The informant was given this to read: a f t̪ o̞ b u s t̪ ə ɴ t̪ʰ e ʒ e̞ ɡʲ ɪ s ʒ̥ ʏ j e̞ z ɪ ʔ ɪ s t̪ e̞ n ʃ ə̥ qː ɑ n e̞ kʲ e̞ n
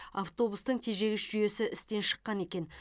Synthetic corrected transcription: a f t̪ o̞ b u s t̪ ə ɴ t̪ʰ e ʒ e̞ ɡʲ ɪ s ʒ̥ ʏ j e̞ s ɪ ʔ ɪ s t̪ e̞ n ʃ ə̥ qː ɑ n e̞ kʲ e̞ n